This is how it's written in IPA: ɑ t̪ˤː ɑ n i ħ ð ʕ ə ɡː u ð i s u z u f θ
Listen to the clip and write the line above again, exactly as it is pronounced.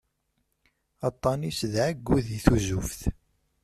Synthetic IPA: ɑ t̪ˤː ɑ n i s ð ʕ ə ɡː u ð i θ u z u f θ